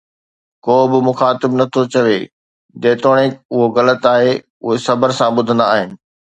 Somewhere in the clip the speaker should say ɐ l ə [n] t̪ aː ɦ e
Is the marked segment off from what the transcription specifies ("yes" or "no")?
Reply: yes